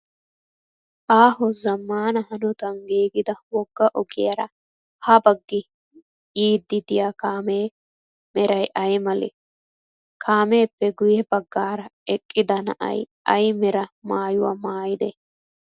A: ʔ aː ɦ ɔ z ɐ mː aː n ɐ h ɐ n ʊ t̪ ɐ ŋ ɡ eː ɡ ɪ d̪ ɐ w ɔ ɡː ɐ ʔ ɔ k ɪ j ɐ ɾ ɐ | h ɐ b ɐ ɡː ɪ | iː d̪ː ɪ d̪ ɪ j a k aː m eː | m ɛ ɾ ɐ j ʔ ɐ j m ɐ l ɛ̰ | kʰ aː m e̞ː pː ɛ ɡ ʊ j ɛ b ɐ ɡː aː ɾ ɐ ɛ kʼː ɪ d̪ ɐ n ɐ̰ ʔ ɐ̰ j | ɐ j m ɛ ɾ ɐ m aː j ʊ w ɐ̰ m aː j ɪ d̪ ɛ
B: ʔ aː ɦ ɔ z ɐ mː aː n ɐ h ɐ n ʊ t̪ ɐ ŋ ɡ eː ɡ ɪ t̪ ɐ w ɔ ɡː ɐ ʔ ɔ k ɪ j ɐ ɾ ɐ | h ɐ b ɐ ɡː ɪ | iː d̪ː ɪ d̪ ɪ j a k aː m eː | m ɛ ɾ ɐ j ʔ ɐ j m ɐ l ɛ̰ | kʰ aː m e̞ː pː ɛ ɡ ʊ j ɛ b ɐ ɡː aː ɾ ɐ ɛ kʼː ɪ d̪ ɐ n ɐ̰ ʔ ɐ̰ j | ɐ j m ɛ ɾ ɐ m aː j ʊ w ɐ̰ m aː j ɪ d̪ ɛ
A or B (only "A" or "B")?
A